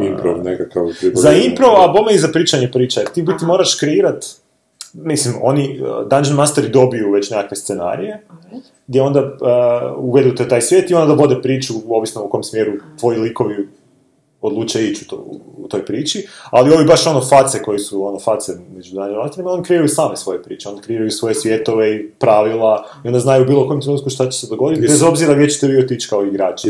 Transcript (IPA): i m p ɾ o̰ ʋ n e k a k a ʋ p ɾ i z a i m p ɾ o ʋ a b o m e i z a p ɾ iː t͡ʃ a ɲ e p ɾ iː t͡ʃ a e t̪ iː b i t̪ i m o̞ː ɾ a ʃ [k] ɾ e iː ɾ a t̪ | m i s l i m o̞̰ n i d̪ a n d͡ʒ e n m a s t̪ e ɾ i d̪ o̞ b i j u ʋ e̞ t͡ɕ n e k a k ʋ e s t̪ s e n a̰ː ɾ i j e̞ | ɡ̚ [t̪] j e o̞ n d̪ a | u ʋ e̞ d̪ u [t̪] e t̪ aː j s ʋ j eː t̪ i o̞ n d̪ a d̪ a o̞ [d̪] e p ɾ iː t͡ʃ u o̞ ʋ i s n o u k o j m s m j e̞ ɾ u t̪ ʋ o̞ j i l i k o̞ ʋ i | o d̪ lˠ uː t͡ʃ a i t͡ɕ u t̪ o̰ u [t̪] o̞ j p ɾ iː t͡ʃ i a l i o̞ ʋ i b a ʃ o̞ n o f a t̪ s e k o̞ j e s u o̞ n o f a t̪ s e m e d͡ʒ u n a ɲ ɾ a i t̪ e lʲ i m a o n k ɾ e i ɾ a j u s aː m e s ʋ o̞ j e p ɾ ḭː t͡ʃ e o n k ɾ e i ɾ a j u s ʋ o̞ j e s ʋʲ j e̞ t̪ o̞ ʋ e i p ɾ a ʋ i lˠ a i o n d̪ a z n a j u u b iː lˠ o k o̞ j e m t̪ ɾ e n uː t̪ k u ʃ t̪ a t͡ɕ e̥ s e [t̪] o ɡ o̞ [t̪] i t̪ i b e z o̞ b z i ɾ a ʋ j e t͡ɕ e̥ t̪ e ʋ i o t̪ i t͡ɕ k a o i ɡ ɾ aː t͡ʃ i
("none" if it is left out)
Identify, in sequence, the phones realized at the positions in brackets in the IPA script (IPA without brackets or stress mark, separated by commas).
k, d̪, t̪, d̪, t̪, d̪, d̪